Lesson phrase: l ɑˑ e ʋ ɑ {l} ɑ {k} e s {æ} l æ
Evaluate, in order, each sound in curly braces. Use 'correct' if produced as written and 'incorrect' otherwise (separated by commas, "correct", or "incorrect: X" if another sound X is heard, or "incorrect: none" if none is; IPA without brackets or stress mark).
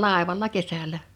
incorrect: lː, correct, correct